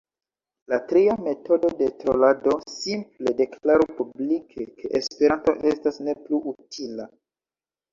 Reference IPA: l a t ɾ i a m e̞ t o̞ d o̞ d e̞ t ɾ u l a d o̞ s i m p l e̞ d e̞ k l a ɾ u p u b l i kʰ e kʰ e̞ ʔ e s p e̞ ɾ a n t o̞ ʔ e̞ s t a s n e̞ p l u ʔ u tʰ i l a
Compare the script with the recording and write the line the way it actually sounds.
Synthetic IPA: l a t ɾ i a m e̞ t o̞ d o̞ d e̞ t ɾ o l a d o̞ s i m p l e̞ d e̞ k l a ɾ u p u b l i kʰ e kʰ e̞ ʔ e s p e̞ ɾ a n t o̞ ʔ e̞ s t a s n e̞ p l u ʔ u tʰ i l a